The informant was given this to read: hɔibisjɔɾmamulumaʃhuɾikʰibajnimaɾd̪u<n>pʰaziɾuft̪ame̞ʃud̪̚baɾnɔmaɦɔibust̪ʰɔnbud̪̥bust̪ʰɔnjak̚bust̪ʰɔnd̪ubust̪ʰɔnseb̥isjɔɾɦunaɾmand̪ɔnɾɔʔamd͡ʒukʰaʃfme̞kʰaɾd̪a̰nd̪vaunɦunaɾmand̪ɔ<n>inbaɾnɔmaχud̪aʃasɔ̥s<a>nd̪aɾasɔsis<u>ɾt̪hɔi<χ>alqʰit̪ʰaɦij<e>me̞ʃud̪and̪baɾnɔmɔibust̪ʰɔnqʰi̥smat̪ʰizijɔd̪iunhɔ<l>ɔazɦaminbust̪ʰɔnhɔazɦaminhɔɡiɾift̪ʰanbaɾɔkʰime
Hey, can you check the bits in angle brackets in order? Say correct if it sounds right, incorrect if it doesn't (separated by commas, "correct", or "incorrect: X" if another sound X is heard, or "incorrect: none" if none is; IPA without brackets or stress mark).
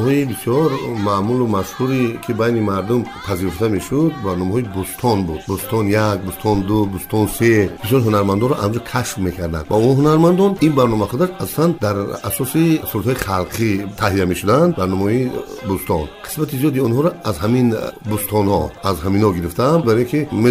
incorrect: m, correct, correct, correct, correct, incorrect: a, incorrect: ɾ